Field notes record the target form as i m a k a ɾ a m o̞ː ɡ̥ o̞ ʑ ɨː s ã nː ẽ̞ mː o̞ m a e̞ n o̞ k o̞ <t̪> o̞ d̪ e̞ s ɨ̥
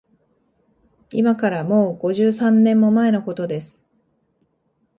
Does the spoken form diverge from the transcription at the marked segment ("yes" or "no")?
no